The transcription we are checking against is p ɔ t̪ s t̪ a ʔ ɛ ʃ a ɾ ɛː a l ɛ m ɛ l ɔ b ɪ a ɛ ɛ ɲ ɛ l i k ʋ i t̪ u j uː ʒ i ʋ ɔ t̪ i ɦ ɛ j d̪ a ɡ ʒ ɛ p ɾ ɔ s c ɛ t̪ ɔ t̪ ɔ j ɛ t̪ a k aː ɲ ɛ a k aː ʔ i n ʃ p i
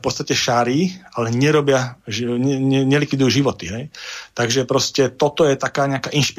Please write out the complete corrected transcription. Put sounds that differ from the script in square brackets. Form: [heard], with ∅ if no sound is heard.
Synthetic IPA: p ɔ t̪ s t̪ a [c] ɛ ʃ a ɾ [iː] a l ɛ [ɲ] ɛ [ɾ] ɔ b ɪ a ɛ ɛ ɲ ɛ l i k ʋ i [d̪] u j uː ʒ i ʋ ɔ t̪ i ɦ ɛ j [t̪] a ɡ ʒ ɛ p ɾ ɔ s c ɛ t̪ ɔ t̪ ɔ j ɛ t̪ a k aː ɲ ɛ a k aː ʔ i n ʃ p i